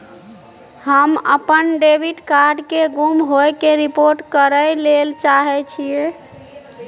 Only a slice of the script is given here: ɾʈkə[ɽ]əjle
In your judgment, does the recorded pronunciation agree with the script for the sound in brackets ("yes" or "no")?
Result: no